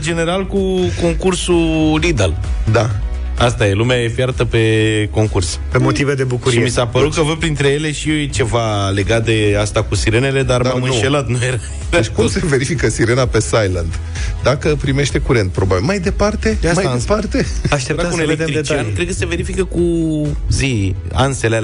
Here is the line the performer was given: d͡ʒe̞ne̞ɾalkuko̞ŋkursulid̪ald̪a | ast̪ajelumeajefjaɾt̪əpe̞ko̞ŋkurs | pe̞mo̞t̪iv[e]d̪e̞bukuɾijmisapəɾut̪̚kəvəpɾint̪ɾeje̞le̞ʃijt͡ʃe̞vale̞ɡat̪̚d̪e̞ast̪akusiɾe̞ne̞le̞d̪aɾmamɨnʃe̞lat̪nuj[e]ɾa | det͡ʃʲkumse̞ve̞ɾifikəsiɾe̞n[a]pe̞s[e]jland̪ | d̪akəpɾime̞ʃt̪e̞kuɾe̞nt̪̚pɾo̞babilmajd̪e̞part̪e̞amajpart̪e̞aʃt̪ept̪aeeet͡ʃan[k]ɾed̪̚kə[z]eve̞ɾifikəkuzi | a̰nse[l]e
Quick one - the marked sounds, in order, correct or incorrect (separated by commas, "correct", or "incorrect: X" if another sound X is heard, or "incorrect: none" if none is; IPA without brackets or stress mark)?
correct, correct, correct, incorrect: a, correct, incorrect: s, correct